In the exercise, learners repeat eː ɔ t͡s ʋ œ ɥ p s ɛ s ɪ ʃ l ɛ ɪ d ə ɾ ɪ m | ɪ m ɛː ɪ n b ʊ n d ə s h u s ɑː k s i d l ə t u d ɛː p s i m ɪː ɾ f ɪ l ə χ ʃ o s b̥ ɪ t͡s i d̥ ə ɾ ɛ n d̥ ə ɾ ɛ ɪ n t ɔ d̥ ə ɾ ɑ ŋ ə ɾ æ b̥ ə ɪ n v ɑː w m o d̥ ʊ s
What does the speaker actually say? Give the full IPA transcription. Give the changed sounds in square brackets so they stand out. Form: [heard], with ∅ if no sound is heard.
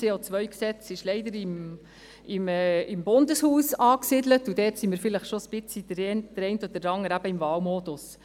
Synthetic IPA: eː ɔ t͡s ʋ œ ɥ [k] s ɛ [t͡s] ɪ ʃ l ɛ ɪ d ə ɾ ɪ m | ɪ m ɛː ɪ [m] b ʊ n d ə s h [uː] s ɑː k s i d l ə t u d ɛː [t] s i m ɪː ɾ f ɪ l ə χ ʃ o s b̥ ɪ t͡s i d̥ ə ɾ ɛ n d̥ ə ɾ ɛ ɪ n t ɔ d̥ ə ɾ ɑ ŋ ə ɾ æ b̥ ə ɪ [m] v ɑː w m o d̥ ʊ s